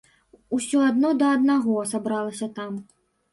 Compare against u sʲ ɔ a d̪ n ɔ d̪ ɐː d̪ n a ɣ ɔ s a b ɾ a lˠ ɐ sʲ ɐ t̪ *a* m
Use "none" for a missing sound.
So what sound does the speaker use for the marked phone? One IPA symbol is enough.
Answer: a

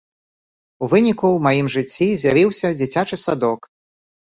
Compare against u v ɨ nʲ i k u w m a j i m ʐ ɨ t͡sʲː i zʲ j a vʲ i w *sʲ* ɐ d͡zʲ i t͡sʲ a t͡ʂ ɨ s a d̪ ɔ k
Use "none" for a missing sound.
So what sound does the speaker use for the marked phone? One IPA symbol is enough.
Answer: sʲ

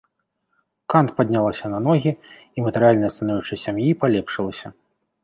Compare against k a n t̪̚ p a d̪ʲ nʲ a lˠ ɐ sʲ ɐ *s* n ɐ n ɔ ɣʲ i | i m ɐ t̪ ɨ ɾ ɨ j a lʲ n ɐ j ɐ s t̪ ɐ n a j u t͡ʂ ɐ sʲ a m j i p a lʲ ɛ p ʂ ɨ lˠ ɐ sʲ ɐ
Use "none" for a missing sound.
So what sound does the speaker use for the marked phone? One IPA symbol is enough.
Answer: none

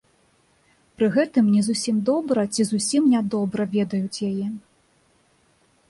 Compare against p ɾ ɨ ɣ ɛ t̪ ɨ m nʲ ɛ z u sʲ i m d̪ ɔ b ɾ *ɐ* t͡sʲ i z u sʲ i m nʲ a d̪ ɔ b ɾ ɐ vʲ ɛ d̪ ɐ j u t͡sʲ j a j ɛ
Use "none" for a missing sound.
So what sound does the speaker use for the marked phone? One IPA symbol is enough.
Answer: ɐ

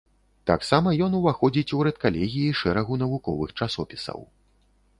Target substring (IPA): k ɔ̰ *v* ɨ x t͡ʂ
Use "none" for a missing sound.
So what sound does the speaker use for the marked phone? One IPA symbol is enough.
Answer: v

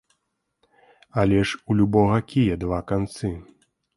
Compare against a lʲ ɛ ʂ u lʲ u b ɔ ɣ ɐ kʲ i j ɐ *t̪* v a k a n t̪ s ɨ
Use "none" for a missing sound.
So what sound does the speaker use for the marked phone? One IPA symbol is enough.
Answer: d̪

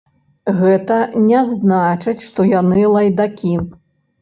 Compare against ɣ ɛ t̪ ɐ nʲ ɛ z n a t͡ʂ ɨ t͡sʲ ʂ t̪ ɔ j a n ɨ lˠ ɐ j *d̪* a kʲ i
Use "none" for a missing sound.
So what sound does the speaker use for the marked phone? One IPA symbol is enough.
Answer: d̪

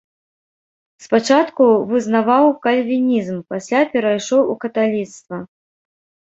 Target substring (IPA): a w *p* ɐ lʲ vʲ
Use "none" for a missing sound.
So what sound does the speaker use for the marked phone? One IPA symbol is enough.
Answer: k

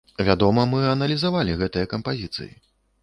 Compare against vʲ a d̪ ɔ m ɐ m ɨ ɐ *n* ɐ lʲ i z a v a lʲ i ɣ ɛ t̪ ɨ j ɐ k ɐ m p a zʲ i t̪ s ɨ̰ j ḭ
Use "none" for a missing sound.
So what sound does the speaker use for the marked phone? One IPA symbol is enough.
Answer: n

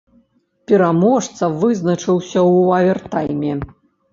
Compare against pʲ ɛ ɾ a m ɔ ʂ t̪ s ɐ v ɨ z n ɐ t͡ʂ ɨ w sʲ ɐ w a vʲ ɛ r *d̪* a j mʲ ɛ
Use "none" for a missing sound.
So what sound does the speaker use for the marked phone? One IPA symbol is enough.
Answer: t̪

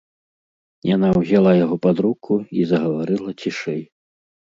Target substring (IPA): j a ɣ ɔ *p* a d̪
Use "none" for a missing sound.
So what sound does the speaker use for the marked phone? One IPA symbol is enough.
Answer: p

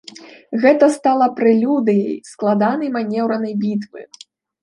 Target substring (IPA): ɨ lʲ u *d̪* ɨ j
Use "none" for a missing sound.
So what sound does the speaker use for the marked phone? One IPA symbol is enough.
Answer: d̪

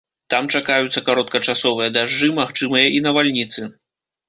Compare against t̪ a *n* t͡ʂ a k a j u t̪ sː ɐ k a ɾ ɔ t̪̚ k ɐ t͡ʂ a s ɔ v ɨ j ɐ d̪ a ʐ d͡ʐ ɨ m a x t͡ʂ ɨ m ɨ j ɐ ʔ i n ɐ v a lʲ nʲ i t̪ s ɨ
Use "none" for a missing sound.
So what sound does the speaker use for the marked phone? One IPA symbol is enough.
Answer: m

